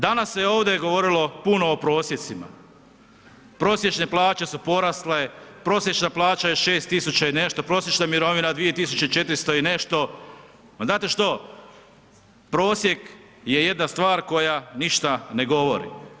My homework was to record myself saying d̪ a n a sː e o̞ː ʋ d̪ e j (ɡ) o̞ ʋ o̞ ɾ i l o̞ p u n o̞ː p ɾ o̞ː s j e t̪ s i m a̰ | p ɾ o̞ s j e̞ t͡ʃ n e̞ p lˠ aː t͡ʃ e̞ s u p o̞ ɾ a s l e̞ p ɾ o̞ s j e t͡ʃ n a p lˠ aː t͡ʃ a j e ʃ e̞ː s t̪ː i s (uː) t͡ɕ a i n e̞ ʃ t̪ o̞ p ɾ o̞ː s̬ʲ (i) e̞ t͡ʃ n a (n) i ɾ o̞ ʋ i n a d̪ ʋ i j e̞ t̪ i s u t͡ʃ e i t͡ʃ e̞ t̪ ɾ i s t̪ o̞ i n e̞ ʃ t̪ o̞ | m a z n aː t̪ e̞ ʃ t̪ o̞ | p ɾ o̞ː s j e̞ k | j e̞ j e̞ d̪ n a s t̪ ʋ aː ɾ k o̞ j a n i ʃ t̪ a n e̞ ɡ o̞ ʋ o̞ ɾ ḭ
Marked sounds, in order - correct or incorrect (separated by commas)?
correct, incorrect, incorrect, incorrect